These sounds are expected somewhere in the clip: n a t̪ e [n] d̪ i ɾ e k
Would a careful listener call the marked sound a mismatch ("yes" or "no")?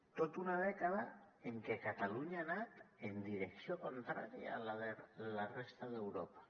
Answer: no